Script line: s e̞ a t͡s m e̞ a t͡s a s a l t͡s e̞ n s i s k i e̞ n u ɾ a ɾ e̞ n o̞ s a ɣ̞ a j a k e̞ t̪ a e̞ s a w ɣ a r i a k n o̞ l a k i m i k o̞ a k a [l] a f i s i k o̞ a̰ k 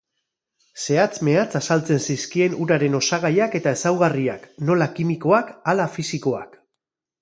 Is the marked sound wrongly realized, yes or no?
no